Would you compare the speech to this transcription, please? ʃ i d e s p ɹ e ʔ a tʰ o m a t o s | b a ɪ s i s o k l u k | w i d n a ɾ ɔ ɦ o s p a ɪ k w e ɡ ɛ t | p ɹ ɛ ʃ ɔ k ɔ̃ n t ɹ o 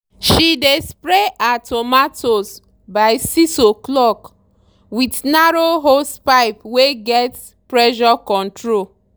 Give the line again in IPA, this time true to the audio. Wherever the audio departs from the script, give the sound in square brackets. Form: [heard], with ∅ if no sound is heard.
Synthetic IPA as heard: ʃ i d e s p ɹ e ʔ a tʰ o m a t o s | b a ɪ s i s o k l [ɔ] k | w i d n a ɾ [o] ɦ o s p a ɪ [p] w e ɡ ɛ t | p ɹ ɛ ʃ ɔ k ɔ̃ n t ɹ o